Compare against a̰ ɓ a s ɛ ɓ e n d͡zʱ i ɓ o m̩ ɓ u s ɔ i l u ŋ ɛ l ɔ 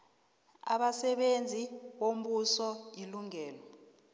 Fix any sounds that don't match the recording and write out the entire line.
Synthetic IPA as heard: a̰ ɓ a s ɛ ɓ e n d͡zʱ i ɓ o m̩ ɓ u s ɔ i l u ŋ ɛː l ɔ